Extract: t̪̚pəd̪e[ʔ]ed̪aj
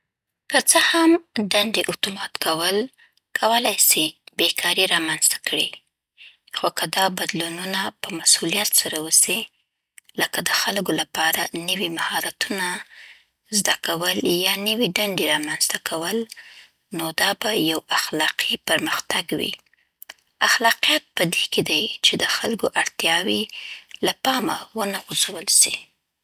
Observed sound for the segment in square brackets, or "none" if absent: k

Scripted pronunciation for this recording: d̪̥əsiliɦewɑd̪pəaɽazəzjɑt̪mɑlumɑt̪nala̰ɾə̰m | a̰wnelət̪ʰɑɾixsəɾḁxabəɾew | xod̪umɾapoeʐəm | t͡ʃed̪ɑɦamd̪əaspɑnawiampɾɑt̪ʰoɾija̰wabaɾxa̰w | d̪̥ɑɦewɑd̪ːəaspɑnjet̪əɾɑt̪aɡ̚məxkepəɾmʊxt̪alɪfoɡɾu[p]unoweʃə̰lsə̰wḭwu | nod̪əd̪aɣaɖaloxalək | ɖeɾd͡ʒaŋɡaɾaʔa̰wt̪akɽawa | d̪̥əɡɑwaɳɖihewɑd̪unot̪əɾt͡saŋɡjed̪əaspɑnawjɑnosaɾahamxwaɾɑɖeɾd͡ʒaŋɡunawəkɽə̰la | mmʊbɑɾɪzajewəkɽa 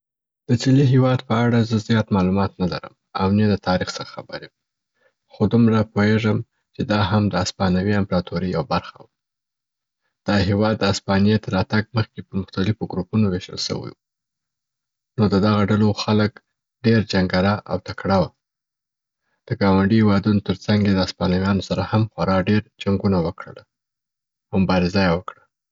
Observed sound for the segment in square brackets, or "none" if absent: p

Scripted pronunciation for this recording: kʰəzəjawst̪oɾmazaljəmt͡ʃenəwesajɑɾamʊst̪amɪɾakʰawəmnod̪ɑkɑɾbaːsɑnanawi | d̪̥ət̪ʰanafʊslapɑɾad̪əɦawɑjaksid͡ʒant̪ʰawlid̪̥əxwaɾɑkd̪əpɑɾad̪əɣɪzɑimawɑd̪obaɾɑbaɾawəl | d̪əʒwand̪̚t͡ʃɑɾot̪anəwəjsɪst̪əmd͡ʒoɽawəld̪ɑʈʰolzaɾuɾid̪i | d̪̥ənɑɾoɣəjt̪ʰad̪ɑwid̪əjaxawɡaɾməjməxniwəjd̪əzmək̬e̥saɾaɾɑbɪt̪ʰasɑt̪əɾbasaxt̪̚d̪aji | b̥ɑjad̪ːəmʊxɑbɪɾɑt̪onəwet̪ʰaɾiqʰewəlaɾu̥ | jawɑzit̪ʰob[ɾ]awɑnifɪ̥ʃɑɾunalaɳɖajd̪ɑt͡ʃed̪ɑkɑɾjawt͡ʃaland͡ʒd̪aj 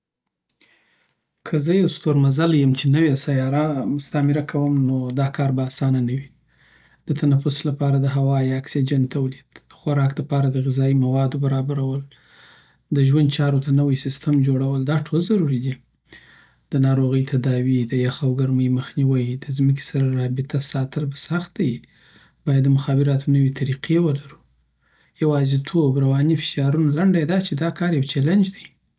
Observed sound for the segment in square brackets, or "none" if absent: ɾ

